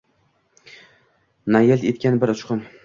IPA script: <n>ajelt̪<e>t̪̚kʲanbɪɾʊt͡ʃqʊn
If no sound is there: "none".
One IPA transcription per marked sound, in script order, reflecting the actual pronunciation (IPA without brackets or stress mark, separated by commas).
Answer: n, e